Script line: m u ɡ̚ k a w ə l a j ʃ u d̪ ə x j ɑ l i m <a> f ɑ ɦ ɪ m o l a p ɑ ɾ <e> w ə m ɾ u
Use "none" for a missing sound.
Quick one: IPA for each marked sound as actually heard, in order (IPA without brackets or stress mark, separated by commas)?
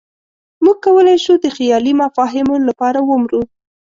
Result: a, a